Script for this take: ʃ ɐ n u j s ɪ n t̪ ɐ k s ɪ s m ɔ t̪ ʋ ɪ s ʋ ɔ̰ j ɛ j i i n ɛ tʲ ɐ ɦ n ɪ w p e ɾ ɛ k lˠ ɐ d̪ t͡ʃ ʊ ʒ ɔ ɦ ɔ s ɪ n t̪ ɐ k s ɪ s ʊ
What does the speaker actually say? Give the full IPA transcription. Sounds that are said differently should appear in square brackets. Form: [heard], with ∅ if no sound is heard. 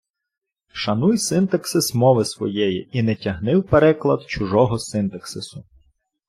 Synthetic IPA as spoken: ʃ ɐ n u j s ɪ n t̪ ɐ k s ɪ s m ɔ [∅] ʋ ɪ s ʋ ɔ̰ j ɛ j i i n ɛ tʲ ɐ ɦ n ɪ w p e ɾ ɛ k lˠ ɐ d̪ t͡ʃ ʊ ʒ ɔ ɦ ɔ s ɪ n t̪ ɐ k s ɪ s ʊ